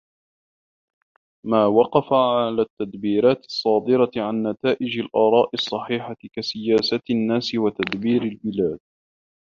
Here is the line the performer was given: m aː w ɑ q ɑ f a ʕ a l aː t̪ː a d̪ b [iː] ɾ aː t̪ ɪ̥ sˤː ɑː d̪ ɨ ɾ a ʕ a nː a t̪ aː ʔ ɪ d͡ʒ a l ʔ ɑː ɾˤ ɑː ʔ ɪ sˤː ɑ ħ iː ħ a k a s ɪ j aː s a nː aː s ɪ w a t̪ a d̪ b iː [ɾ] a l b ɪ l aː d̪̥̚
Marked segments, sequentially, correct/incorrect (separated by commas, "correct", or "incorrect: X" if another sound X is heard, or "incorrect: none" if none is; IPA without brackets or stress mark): correct, correct